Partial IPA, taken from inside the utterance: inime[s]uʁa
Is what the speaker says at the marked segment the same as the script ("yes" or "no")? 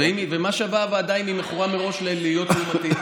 no